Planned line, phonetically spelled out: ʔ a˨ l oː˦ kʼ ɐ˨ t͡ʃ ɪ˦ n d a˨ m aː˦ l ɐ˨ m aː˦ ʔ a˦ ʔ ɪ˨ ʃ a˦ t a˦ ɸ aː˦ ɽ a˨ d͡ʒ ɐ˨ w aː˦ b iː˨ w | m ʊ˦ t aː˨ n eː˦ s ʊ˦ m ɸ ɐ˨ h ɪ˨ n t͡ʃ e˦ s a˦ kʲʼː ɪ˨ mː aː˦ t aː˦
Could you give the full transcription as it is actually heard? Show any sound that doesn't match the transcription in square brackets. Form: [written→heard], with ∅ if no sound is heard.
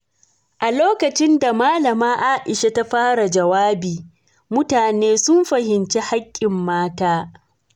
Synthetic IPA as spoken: ʔ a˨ l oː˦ [kʼ→k] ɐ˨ t͡ʃ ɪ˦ n d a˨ m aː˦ l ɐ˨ m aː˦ ʔ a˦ ʔ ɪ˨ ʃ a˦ t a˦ ɸ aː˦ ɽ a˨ d͡ʒ ɐ˨ w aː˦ b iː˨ [w→∅] | m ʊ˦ t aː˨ n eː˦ s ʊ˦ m ɸ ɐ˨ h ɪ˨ n t͡ʃ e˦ [s→h] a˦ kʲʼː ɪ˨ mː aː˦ t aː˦